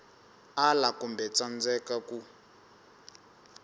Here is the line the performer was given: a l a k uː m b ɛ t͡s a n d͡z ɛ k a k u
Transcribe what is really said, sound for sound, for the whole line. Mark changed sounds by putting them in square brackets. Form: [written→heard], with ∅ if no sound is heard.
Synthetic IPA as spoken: a l a k [uː→u] m b ɛ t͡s a n d͡z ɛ k a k u